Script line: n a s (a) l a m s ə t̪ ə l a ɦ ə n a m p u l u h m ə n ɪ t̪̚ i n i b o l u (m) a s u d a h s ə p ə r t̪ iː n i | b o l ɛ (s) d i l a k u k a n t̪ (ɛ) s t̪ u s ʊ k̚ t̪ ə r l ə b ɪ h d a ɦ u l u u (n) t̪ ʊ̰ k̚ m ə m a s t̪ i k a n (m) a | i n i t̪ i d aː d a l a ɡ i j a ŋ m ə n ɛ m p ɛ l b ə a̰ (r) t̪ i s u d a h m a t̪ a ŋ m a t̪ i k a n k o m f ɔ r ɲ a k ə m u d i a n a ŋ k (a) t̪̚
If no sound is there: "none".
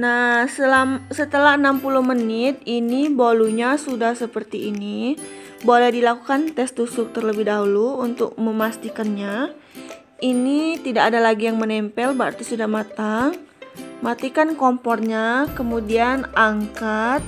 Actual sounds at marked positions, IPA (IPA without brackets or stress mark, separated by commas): ə, ɲ, h, ɛ, n, ɲ, r, a